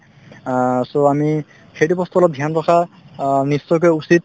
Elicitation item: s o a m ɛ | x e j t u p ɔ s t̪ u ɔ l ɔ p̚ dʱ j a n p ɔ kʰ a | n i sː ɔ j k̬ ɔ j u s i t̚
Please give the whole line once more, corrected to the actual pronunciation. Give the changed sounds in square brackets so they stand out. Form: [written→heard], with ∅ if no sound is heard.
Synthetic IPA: s o a m [ɛ→i] | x e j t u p ɔ s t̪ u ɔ l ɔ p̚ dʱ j a n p ɔ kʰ a | n i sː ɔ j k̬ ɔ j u s i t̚